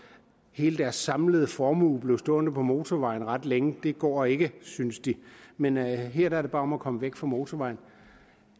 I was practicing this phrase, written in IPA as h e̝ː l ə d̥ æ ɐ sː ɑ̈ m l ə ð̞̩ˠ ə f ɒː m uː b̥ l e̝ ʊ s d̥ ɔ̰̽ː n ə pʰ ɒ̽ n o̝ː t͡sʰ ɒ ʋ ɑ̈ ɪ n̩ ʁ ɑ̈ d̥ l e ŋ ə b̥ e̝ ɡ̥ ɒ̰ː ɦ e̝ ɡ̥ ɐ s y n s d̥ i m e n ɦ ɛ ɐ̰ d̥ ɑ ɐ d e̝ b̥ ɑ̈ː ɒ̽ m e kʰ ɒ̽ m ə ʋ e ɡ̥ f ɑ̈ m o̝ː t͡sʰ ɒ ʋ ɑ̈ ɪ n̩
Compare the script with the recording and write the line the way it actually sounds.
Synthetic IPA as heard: h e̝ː l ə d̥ æ ɐ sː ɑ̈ m l ə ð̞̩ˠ ə f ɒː m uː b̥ l e̝ ʊ s d̥ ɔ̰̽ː n ə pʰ ɒ̽ m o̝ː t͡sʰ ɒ ʋ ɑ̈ ɪ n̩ ʁ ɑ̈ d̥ l e ŋ ə d̥ e̝ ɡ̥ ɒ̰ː e̝ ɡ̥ ə s y n s d̥ i m e n ɦ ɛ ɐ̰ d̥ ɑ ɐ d e̝ b̥ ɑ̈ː ɒ̽ m æ kʰ ɒ̽ m ə ʋ e ɡ̥ f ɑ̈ m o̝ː t͡sʰ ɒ ʋ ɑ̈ ɪ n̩

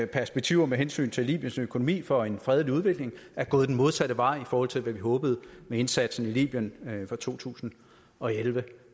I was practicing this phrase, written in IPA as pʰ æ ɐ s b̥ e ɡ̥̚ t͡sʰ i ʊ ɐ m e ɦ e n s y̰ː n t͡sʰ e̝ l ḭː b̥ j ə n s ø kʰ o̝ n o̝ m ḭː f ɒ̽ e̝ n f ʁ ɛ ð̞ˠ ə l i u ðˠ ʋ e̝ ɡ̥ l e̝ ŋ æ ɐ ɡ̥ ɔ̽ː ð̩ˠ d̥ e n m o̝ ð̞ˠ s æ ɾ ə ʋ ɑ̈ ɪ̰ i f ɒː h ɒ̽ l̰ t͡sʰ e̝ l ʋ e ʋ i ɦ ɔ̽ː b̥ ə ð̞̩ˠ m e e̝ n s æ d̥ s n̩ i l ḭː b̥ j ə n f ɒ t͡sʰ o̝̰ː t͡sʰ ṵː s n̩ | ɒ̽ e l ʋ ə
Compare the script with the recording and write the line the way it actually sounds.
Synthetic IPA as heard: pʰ æ ɐ s b̥ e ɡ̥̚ t͡sʰ i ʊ ɐ m e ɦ e n s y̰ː n t͡sʰ e̝ l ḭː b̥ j ə n s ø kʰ o̝ n o̝ m ḭː f ɒ̽ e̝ n f ʁ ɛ ð̞ˠ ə l i u ðˠ ʋ e̝ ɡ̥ l e̝ ŋ æ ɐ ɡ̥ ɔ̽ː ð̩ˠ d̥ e n m o̝ ð̞ˠ s æ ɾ ə ʋ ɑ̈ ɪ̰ i f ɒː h ɒ̽ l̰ t͡sʰ e̝ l ʋ æ ʋ i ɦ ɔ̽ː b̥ ə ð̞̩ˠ m e e̝ n s æ d̥ s n̩ i l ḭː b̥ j ə n f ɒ t͡sʰ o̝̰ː t͡sʰ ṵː s n̩ | ɒ̽ e l ʋ ə

